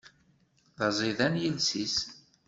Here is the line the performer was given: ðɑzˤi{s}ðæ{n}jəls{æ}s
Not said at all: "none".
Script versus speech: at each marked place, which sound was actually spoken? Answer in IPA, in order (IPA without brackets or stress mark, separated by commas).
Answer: none, n, i